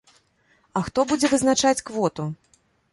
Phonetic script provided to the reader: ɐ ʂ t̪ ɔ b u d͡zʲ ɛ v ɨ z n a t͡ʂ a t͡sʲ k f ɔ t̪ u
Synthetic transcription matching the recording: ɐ x t̪ ɔ b u d͡zʲ ɛ v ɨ z n a t͡ʂ a t͡sʲ k v ɔ t̪ u